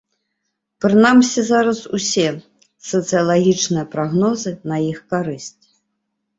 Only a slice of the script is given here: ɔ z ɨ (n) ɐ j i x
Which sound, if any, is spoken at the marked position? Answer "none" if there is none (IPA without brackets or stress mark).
n